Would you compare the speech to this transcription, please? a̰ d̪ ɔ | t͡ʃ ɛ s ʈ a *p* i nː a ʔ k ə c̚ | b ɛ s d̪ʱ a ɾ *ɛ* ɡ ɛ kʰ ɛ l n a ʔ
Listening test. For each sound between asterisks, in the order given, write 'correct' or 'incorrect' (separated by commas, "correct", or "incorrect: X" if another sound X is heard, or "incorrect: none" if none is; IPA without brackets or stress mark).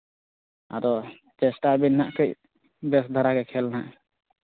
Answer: incorrect: b, incorrect: a